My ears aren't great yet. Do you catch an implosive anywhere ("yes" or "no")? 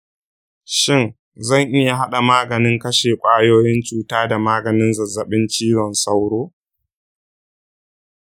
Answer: yes